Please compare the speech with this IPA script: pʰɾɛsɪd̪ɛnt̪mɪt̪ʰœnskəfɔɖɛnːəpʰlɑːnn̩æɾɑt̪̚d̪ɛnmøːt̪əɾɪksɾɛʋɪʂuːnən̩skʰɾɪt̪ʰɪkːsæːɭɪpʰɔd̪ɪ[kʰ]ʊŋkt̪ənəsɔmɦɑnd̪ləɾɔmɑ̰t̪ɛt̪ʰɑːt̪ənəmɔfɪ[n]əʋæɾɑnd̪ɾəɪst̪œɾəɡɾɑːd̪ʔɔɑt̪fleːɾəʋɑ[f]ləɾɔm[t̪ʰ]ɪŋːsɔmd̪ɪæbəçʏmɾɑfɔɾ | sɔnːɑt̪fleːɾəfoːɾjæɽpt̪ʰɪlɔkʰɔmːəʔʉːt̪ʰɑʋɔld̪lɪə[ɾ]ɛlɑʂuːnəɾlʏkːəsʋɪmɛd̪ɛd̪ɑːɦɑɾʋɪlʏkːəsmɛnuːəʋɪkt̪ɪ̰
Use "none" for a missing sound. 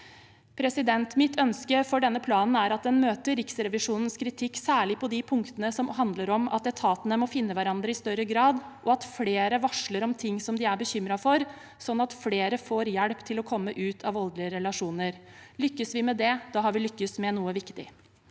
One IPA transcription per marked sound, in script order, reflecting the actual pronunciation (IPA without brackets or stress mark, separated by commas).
pʰ, nː, ʂ, t̪ʰ, ɾ